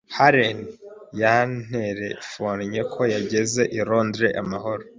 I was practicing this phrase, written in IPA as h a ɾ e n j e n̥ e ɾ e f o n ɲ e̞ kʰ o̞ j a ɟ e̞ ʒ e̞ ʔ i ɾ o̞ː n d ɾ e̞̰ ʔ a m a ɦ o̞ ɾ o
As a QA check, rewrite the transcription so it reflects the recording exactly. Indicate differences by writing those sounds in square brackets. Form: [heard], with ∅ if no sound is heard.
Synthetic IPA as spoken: h a ɾ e n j [a] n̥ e ɾ e f o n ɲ e̞ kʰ o̞ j a ɟ e̞ [z] e̞ ʔ i ɾ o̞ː n d ɾ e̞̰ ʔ a m a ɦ o̞ ɾ o